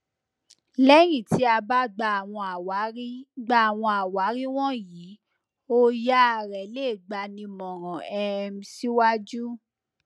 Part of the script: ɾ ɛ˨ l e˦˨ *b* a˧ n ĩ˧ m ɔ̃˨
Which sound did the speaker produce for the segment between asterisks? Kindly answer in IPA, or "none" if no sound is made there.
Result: ɡ͡b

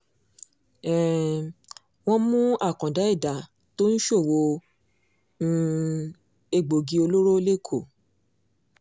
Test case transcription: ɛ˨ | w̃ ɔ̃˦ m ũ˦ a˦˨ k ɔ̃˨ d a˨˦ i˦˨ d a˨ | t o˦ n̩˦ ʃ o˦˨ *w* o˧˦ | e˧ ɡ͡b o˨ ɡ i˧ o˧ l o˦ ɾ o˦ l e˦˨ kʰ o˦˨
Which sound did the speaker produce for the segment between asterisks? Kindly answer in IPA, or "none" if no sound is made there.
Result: w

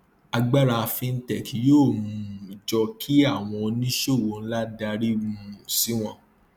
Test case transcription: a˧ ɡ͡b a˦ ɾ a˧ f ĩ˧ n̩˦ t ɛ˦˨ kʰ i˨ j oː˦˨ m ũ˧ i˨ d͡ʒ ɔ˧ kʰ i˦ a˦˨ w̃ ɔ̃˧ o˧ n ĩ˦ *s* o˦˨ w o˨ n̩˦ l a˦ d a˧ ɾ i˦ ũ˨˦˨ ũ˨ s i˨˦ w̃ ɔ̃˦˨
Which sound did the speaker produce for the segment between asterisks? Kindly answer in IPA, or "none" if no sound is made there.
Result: ʃ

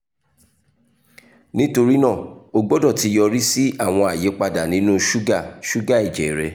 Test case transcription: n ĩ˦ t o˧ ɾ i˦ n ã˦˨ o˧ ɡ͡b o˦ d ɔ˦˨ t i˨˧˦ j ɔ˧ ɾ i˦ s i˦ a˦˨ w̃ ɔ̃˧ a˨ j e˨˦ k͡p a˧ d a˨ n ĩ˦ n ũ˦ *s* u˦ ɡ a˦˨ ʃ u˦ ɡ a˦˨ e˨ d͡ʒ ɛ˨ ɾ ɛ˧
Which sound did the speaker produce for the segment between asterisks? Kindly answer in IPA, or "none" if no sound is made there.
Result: ʃ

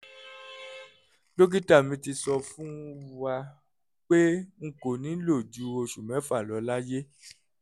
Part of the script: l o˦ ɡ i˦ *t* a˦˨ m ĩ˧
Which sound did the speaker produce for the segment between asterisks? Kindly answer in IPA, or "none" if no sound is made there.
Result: t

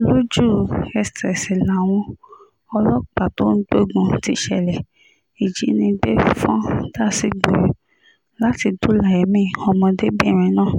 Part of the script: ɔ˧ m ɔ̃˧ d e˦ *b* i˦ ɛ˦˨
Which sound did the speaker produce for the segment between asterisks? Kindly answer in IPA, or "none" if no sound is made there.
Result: b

